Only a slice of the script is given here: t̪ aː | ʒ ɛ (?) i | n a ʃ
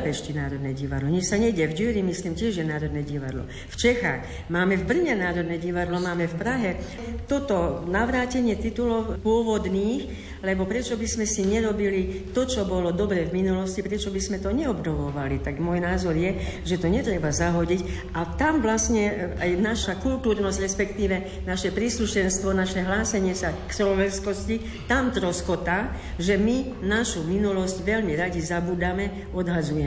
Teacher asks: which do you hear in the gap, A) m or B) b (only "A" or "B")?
A